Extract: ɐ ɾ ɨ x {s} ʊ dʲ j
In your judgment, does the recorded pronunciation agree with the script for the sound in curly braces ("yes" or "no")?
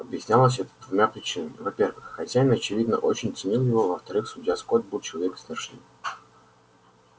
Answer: yes